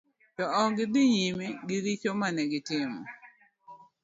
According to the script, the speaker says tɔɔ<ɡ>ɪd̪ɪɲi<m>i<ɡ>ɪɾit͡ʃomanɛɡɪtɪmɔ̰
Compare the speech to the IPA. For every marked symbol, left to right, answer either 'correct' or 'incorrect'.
correct, correct, correct

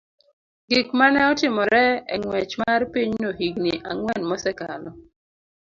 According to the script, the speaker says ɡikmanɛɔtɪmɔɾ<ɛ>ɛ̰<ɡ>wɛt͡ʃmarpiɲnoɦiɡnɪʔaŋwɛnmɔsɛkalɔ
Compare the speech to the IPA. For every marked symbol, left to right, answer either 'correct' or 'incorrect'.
correct, incorrect

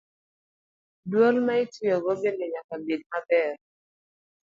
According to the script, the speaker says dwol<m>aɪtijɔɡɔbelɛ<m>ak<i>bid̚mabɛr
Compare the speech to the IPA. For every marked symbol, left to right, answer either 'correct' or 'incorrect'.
correct, incorrect, incorrect

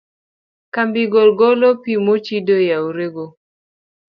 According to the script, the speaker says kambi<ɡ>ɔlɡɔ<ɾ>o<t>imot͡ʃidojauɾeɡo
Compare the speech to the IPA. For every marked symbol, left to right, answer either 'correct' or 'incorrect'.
correct, incorrect, incorrect

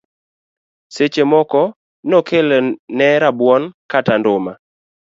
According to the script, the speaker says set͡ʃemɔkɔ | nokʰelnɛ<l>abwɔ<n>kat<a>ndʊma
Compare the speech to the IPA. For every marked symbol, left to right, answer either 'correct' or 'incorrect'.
incorrect, correct, correct

